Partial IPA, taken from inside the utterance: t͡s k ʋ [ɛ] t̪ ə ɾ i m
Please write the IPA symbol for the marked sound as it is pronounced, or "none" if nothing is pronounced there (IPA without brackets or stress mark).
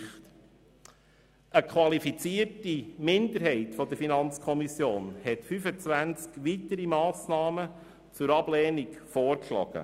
i